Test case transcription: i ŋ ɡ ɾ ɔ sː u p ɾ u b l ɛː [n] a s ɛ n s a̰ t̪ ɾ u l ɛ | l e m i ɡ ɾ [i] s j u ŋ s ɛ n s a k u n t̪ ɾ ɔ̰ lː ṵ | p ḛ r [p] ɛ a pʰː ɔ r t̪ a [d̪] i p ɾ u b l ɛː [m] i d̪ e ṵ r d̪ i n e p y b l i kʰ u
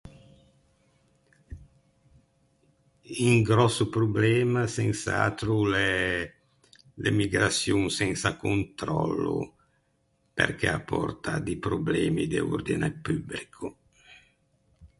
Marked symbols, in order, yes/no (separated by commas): no, no, no, yes, yes